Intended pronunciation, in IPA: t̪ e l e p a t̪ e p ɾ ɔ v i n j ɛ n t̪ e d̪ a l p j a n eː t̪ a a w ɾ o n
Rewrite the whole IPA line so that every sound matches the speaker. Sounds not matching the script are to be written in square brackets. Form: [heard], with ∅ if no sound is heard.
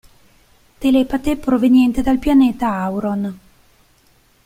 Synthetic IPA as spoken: t̪ e l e p a t̪ e p ɾ [o] v [e] n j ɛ n t̪ e d̪ a l p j a n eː t̪ a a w ɾ o n